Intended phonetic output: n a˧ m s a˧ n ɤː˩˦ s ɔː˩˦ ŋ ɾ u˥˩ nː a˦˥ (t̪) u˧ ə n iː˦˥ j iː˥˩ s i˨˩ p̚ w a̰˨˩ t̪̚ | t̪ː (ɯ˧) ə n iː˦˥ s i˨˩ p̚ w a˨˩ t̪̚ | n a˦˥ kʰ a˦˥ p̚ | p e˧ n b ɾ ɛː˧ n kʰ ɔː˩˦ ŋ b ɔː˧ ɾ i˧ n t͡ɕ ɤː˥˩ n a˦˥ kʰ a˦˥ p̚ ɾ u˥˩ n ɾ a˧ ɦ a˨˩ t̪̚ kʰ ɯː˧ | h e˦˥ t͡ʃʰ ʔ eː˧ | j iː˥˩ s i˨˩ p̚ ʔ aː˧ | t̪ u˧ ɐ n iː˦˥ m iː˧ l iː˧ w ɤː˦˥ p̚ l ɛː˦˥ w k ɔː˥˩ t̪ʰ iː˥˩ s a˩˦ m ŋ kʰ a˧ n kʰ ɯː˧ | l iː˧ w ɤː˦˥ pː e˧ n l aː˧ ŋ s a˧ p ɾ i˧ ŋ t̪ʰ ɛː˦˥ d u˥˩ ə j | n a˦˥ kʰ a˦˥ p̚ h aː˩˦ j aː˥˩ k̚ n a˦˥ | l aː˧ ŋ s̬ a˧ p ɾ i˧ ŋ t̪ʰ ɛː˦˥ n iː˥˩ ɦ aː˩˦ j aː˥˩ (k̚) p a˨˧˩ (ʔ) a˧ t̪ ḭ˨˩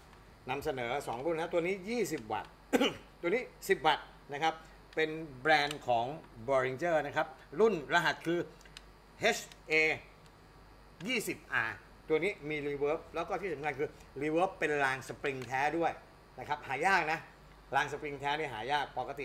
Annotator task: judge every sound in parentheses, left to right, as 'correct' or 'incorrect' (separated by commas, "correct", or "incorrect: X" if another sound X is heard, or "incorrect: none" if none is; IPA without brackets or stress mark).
correct, incorrect: u˧, correct, incorrect: k